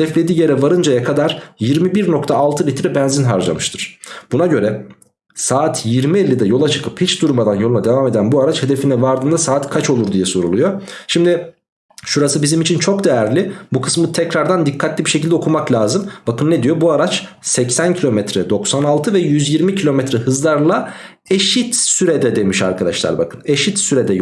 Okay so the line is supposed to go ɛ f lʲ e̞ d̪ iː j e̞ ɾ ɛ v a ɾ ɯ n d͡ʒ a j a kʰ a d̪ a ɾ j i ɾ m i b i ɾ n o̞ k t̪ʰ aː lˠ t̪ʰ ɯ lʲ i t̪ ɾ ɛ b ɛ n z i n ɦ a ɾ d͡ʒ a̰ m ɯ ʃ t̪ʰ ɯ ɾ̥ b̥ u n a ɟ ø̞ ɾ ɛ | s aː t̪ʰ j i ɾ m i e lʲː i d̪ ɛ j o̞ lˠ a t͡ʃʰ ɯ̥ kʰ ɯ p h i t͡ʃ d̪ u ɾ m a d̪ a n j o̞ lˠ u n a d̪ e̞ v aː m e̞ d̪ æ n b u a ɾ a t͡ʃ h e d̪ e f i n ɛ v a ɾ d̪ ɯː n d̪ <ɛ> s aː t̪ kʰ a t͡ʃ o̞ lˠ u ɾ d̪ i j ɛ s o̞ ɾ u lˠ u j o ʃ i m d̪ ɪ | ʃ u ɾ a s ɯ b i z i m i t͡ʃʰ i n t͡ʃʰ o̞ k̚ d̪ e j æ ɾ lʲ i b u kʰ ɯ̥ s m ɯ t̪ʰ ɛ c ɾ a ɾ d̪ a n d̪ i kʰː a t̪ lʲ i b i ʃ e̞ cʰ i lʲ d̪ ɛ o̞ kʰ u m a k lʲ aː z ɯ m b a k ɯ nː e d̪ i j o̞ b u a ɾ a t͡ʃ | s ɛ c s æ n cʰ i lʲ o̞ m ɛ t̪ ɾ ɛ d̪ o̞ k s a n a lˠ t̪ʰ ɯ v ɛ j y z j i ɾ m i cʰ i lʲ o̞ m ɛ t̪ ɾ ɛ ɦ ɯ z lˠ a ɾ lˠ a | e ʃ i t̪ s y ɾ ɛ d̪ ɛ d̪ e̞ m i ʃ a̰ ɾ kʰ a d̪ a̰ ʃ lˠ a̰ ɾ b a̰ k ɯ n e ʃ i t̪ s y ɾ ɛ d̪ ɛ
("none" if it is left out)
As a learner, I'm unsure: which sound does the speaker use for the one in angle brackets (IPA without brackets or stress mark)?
a